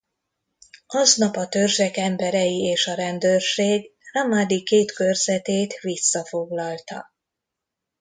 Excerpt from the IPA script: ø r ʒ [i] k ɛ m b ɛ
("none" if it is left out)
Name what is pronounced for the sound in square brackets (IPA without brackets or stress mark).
ɛ